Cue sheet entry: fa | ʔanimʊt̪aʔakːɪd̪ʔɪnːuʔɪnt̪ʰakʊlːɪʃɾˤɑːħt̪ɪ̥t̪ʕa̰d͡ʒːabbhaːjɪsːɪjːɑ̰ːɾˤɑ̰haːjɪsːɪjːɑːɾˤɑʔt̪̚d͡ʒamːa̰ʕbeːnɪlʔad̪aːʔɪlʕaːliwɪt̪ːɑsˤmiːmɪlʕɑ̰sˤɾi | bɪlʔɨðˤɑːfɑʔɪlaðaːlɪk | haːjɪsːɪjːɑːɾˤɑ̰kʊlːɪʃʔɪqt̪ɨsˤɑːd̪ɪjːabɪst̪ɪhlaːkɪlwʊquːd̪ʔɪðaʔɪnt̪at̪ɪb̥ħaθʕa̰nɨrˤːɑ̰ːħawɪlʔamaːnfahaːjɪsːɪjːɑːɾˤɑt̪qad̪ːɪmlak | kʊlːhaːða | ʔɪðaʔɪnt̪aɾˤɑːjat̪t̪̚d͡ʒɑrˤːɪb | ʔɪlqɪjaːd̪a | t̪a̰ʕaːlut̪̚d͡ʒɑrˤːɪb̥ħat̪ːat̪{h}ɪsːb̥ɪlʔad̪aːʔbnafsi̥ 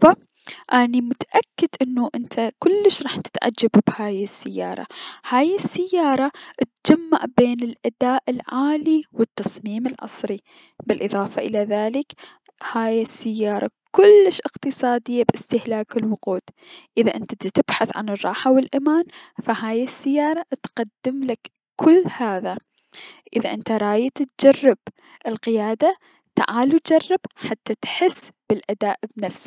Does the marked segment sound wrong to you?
yes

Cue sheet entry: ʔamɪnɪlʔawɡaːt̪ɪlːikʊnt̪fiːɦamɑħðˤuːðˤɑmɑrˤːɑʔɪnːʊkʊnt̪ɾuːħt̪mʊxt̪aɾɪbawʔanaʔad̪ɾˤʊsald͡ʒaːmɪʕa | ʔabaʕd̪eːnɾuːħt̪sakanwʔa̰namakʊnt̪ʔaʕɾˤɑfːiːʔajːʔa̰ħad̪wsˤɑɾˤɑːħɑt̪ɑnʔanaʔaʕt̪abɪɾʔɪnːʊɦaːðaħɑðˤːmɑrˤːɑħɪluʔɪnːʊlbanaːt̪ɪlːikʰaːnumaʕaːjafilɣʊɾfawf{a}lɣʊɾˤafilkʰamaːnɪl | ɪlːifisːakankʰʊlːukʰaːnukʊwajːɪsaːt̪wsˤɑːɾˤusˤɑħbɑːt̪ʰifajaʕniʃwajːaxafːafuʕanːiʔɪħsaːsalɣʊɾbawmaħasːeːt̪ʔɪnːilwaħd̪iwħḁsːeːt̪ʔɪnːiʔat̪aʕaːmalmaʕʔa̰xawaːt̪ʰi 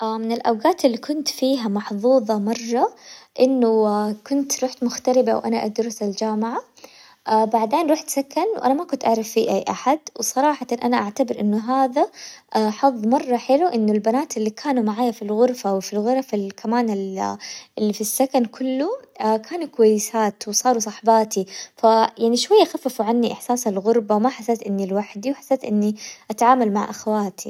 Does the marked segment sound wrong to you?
yes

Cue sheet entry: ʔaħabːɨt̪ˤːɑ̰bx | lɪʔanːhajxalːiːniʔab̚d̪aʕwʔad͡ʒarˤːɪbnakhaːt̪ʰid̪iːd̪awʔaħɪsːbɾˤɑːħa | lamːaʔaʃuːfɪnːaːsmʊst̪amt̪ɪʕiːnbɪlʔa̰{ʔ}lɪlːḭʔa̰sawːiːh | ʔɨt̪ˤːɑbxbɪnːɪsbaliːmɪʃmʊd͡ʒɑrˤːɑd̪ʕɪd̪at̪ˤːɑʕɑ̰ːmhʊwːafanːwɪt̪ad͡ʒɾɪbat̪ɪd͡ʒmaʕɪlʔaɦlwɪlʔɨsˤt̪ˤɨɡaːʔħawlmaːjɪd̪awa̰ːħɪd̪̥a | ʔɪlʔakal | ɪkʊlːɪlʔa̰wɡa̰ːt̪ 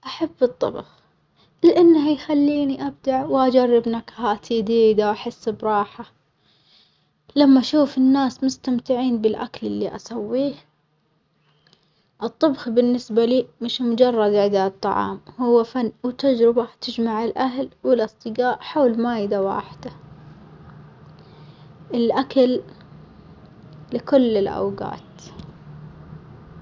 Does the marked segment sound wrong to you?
yes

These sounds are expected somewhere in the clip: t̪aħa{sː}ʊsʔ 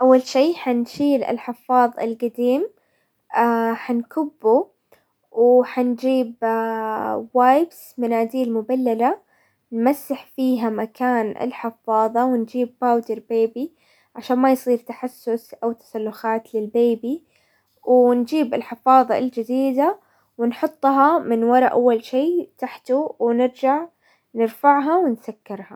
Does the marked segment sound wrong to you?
no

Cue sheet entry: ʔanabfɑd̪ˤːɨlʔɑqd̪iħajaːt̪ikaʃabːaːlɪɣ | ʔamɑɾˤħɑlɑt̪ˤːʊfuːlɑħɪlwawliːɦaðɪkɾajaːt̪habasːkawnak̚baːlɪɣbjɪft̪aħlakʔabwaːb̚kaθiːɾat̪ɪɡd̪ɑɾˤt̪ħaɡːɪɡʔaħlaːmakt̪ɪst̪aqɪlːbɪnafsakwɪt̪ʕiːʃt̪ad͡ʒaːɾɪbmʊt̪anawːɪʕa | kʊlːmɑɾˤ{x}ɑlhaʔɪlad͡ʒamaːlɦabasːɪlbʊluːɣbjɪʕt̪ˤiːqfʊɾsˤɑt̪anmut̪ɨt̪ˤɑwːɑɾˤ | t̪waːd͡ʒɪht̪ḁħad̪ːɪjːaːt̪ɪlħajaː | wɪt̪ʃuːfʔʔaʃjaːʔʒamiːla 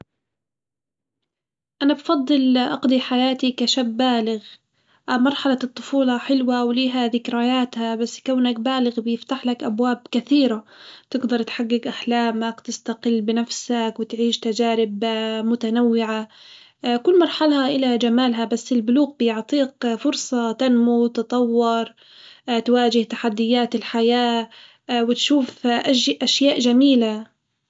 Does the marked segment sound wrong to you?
yes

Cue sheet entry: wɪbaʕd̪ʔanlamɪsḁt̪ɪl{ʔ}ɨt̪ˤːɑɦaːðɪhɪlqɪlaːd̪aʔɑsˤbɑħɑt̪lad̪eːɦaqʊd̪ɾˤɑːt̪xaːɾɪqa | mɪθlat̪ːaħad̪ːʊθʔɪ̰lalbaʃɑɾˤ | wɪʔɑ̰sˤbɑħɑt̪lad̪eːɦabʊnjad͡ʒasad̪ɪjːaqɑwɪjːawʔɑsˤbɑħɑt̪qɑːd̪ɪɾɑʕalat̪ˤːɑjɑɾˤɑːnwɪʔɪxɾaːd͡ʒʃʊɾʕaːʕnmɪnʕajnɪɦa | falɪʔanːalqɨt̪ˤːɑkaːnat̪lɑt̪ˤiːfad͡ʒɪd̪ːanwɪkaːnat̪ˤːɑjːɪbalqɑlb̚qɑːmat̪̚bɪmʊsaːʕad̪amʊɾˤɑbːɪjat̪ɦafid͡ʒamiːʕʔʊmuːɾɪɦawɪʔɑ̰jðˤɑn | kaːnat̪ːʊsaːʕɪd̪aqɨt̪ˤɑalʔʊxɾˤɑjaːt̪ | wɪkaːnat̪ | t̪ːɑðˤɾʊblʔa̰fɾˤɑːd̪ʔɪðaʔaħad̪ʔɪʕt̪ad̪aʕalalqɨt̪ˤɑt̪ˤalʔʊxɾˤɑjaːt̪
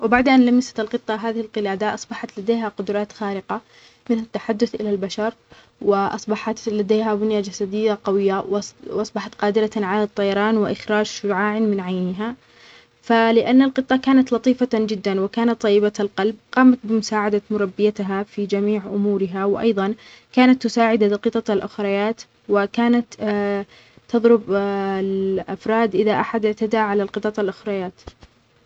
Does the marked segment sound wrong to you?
yes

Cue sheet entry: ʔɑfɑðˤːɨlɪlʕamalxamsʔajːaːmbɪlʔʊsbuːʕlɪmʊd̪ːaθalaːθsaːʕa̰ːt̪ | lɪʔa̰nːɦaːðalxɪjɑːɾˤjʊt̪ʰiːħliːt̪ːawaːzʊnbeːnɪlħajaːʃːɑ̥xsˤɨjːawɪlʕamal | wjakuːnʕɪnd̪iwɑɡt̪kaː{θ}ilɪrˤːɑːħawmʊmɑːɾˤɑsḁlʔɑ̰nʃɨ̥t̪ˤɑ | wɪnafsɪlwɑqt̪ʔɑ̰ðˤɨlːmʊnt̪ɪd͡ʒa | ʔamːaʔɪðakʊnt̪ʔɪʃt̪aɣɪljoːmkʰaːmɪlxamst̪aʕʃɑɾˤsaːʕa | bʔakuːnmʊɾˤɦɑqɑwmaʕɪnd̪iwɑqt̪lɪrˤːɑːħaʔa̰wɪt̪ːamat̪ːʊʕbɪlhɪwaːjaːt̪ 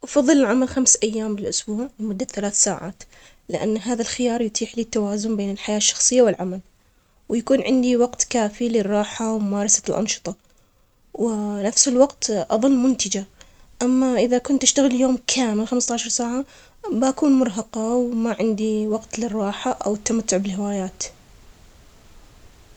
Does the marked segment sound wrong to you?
yes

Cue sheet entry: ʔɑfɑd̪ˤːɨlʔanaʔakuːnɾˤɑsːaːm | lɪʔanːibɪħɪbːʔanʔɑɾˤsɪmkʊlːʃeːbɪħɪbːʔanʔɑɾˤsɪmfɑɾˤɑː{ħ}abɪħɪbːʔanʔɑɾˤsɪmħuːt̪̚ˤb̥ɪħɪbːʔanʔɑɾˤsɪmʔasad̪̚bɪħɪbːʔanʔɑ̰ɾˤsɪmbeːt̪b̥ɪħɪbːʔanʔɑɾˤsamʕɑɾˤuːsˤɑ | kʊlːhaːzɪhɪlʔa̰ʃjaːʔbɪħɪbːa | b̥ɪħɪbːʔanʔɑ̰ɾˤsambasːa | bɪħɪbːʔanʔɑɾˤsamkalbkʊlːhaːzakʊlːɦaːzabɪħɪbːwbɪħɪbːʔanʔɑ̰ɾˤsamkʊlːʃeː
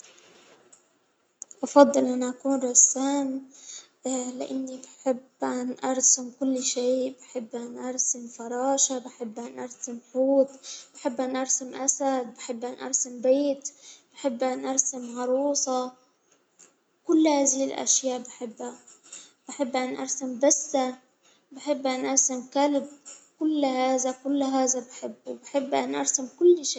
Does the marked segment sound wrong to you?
yes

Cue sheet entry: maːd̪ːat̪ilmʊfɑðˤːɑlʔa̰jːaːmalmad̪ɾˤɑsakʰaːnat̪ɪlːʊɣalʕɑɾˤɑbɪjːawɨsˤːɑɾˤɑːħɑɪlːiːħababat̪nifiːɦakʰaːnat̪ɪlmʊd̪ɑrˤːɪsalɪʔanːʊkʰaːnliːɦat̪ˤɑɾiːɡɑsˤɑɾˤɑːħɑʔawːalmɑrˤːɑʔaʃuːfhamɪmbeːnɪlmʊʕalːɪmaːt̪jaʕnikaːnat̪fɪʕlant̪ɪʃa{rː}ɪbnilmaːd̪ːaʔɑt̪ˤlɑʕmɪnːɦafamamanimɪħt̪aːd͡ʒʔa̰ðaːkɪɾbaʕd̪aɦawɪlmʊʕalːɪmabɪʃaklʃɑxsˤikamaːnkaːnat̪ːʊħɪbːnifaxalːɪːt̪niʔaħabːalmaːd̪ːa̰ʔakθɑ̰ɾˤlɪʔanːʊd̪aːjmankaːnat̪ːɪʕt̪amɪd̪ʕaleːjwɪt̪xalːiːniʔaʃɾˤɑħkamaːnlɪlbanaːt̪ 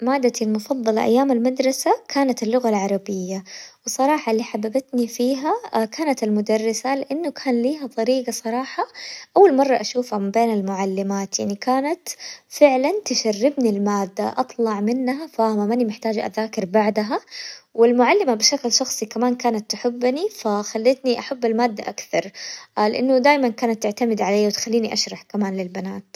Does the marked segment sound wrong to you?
no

